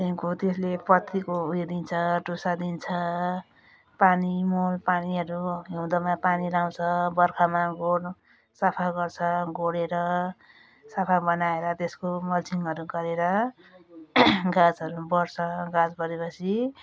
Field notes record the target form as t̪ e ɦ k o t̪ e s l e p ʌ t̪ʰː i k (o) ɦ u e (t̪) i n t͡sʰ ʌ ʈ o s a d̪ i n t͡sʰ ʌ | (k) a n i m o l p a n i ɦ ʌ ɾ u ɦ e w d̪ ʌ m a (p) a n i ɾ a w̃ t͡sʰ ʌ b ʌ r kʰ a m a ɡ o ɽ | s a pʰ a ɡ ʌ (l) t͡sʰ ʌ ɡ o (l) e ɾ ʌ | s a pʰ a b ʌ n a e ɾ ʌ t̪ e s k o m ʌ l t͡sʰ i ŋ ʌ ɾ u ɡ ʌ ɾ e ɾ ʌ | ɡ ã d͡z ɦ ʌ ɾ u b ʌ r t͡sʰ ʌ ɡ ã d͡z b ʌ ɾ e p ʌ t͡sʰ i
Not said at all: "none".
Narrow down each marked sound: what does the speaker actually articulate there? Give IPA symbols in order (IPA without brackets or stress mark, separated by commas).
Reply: o, d̪, p, p, r, ɽ